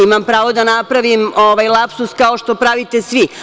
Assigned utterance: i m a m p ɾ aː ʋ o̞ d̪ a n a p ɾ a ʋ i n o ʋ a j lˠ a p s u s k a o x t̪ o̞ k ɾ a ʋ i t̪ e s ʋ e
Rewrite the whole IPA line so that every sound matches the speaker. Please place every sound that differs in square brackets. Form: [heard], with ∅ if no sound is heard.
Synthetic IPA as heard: i m a m p ɾ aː ʋ o̞ d̪ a n a p ɾ a ʋ i [m] o ʋ a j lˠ a p s u s k a o [ʃ] t̪ o̞ [p] ɾ a ʋ i t̪ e s ʋ [i]